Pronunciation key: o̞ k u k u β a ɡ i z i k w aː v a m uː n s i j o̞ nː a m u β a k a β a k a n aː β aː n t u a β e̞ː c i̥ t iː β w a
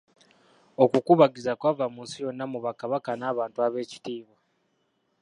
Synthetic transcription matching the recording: o̞ k u k u β a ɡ i z a k w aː v a m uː n s i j o̞ nː a m u β a k a β a k a n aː β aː n t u a β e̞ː c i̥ t iː β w a